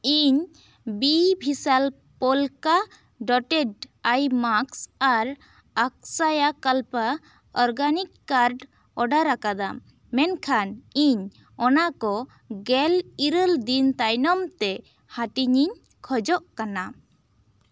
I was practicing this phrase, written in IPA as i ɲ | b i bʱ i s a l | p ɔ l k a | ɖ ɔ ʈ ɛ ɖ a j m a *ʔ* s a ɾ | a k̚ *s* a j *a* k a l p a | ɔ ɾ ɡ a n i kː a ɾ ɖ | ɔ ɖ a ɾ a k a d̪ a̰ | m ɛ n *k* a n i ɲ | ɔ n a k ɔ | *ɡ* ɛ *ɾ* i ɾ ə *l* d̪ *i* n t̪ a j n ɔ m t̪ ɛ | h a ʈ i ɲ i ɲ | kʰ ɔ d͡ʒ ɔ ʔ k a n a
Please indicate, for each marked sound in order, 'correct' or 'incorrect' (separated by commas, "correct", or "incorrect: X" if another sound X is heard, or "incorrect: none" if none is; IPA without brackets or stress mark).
incorrect: k, correct, correct, incorrect: kʰ, correct, incorrect: l, correct, correct